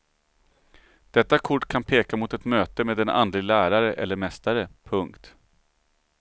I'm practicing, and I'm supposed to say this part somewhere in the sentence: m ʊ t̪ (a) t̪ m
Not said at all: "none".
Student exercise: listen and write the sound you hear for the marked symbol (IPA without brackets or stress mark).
ɛ